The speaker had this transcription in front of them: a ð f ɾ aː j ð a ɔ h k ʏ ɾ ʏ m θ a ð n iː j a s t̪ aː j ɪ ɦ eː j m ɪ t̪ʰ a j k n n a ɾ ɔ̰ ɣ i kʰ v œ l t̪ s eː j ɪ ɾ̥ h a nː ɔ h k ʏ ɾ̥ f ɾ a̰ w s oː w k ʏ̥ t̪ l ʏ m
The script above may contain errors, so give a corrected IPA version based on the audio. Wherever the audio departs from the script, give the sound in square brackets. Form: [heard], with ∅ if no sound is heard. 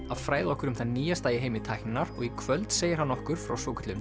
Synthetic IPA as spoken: a ð f ɾ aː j ð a ɔ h k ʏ ɾ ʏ m θ a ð n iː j a s t̪ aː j ɪ ɦ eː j m ɪ t̪ʰ a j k n n a ɾ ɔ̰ ɣ i kʰ v œ l t̪ s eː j ɪ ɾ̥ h a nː ɔ h k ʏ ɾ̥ f ɾ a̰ w s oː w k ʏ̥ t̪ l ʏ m